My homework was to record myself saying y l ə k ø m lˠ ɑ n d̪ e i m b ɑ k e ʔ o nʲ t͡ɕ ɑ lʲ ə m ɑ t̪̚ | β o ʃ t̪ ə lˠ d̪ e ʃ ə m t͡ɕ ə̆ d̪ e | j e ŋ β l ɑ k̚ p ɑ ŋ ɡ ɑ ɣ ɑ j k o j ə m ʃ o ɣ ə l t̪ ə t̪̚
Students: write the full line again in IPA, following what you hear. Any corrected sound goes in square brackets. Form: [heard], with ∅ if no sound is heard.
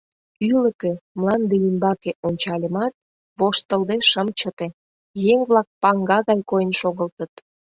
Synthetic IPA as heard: y l ə k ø m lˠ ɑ n d̪ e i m b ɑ k e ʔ o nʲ t͡ɕ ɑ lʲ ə m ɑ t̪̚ | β o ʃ t̪ ə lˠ d̪ e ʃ ə m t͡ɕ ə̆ [t̪] e | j e ŋ β l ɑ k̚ p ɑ ŋ ɡ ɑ ɣ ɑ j k o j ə [n] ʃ o ɣ ə l t̪ ə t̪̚